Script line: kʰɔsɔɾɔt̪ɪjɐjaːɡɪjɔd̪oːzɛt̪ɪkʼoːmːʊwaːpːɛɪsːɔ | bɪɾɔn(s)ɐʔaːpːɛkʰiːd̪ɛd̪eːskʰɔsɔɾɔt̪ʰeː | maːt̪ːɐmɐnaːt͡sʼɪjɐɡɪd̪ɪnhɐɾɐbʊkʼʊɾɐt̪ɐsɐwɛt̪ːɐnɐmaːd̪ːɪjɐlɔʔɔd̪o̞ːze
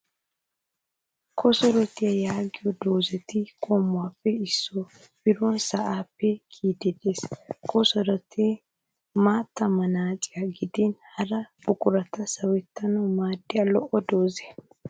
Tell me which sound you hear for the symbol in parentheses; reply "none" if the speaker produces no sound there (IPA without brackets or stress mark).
s